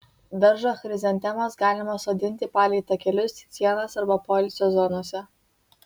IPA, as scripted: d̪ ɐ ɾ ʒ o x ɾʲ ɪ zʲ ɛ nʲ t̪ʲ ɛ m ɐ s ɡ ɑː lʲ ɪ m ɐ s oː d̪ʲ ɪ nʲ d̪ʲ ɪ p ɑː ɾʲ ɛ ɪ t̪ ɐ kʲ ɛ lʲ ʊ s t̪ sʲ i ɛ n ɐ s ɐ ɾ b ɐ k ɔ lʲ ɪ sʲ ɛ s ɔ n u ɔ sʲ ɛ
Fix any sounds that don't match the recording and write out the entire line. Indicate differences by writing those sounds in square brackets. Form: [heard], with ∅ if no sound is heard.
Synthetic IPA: d̪ ɐ ɾ ʒ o x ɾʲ ɪ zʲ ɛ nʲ t̪ʲ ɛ m ɐ s ɡ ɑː lʲ ɪ m ɐ s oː d̪ʲ ɪ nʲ [t̪ʲ] ɪ p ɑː [lʲ] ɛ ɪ t̪ ɐ kʲ ɛ lʲ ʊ s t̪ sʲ i ɛ n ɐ s ɐ ɾ b ɐ [p] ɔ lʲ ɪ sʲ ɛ [z] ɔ n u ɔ sʲ ɛ